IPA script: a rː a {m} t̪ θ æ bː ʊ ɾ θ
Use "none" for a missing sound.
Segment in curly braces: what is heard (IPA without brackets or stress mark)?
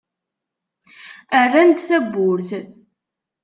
n